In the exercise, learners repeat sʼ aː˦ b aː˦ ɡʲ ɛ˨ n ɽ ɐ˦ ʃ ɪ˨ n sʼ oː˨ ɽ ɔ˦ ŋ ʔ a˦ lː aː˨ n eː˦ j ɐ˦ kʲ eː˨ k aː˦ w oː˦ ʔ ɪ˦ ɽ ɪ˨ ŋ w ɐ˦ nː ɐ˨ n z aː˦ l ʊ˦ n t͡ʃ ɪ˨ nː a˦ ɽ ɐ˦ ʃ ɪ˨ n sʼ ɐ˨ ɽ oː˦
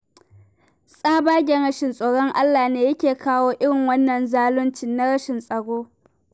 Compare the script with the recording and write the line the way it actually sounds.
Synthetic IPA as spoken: sʼ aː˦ b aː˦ ɡʲ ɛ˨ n ɽ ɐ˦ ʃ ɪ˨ n sʼ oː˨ ɽ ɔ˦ ŋ ʔ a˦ lː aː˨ n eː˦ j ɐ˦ kʲ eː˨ k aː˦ w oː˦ ʔ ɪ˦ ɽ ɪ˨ ŋ w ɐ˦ nː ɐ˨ n z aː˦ l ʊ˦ n t͡ʃ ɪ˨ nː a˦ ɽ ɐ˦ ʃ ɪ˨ n sʼ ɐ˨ ɽ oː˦